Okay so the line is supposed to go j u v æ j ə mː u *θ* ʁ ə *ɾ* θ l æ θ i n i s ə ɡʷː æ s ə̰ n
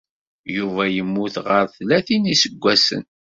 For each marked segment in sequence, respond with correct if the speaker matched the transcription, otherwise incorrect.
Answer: correct, correct

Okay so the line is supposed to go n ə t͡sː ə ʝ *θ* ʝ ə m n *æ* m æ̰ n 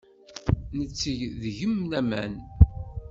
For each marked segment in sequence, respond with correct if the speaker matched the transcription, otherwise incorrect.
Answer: incorrect, correct

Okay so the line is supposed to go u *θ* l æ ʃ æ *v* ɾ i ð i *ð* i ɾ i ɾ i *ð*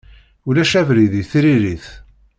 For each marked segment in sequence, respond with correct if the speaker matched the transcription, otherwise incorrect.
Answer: incorrect, correct, incorrect, incorrect

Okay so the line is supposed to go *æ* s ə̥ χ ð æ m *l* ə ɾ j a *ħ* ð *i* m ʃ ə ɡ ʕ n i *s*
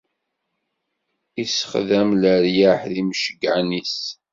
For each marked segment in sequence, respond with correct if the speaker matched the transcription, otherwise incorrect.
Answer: incorrect, correct, correct, correct, correct

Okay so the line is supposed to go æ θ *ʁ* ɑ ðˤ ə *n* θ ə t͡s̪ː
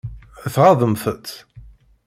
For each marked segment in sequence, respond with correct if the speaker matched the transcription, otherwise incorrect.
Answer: correct, incorrect

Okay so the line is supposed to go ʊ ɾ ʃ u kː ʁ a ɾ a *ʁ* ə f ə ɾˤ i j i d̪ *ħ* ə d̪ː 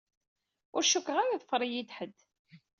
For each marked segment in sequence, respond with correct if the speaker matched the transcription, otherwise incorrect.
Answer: incorrect, correct

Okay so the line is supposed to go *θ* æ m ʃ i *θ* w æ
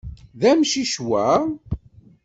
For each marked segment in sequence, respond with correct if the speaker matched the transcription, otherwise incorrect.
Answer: incorrect, incorrect

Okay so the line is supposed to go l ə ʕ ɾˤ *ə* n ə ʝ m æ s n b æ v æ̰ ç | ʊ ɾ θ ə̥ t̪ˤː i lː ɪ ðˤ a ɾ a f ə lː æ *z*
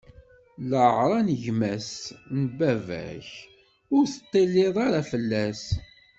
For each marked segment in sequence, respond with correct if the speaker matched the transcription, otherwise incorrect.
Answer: incorrect, incorrect

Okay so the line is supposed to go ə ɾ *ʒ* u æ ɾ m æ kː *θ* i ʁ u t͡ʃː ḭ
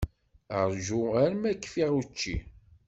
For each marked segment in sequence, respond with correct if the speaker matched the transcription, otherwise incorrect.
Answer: correct, incorrect

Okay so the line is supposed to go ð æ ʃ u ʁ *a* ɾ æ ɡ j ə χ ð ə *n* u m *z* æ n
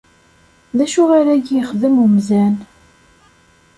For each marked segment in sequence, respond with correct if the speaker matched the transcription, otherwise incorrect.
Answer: correct, incorrect, correct

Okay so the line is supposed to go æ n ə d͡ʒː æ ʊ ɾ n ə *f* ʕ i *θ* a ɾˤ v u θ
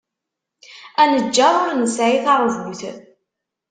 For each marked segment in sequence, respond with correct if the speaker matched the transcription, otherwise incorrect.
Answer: incorrect, correct

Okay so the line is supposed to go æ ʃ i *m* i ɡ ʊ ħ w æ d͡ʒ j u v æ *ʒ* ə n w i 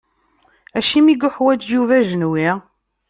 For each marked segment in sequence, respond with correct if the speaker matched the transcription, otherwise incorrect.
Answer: correct, correct

